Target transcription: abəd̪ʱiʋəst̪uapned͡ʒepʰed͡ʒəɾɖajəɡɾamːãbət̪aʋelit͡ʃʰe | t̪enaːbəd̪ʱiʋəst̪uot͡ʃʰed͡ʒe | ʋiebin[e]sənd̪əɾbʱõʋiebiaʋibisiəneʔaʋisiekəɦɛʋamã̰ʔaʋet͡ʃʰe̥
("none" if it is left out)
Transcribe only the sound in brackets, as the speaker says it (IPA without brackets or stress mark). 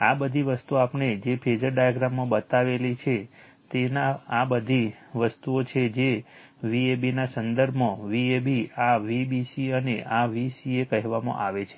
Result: a